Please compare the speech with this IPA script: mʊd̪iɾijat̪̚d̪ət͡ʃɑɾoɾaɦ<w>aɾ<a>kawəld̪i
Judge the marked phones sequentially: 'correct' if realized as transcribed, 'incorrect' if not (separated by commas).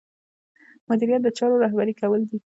incorrect, incorrect